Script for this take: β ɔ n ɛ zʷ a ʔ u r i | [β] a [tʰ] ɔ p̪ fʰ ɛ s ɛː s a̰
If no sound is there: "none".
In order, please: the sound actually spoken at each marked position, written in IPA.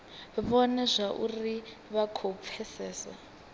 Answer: β, kʰ

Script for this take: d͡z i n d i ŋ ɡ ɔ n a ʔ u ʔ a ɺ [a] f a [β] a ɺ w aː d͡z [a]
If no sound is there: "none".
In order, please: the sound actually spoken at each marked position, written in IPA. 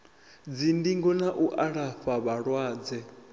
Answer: a, β, ɛ

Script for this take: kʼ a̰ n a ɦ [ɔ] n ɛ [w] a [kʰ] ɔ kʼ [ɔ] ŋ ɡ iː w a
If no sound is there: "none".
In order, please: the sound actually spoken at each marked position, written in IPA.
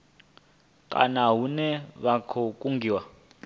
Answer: u, β, kʰ, u

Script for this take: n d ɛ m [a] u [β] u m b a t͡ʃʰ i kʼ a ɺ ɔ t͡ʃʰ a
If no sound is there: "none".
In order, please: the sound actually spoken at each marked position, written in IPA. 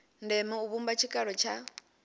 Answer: ɛ, β

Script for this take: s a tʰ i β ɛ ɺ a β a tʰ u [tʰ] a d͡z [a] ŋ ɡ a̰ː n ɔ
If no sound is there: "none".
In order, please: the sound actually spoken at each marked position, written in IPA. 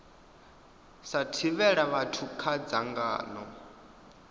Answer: kʰ, a

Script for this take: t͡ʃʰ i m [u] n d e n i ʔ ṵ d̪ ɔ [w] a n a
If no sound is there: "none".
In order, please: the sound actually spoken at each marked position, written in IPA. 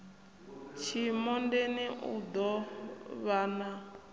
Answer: ɔ, β

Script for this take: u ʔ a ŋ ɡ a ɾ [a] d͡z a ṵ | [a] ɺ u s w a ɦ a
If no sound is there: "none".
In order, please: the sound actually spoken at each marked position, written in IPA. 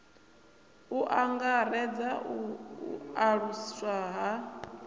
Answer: ɛ, a

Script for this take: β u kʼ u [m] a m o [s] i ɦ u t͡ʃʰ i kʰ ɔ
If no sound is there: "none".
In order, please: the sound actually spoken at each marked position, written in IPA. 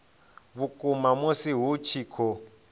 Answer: m, s

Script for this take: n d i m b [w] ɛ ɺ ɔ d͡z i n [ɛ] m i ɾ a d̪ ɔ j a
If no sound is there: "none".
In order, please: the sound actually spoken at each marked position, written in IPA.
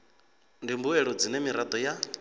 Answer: u, ɛ

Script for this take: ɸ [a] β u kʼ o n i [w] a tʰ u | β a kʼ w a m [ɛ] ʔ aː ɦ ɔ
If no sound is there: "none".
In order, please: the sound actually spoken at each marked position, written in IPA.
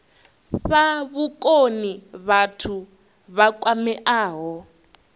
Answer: a, β, ɛ

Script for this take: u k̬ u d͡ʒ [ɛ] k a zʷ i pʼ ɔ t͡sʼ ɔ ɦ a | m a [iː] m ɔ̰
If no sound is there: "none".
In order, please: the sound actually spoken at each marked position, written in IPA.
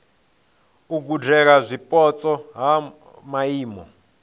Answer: ɛ, iː

